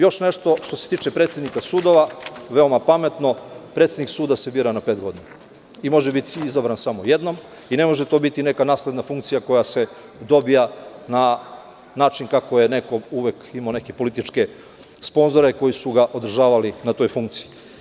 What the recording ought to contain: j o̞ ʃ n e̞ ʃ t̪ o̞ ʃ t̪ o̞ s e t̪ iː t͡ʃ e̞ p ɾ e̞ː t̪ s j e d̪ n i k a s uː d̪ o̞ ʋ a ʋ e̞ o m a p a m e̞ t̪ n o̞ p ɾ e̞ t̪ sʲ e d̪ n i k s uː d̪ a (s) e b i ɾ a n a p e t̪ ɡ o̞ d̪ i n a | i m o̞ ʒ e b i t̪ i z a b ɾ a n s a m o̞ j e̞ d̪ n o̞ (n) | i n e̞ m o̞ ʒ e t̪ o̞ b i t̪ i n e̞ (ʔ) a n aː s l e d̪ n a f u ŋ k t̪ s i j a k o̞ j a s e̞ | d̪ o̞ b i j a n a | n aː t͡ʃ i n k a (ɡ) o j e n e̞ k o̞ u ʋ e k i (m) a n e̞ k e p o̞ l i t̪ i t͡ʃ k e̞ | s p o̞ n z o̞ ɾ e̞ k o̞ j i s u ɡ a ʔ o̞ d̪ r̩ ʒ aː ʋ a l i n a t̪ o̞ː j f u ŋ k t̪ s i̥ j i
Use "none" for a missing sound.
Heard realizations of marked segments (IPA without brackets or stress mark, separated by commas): s, m, k, k, m